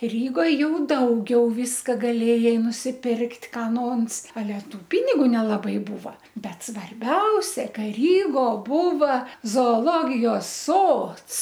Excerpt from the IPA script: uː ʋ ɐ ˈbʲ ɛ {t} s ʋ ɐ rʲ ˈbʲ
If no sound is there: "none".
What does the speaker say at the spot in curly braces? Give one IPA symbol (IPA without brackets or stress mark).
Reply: t